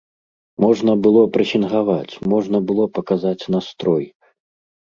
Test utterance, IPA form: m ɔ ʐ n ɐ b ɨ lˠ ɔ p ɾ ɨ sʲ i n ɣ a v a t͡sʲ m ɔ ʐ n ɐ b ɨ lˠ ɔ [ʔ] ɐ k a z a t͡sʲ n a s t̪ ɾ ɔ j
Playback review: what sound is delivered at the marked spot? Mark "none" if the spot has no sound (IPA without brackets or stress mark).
p